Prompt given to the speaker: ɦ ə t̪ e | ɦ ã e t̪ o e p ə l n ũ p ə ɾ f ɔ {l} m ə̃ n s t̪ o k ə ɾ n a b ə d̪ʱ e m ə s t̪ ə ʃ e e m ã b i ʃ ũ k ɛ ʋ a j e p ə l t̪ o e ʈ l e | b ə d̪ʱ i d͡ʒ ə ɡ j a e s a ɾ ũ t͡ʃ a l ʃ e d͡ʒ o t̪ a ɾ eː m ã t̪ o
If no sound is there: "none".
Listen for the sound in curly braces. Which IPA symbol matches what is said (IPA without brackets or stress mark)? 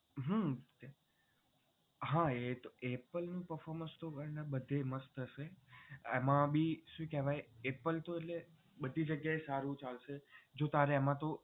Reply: ɾ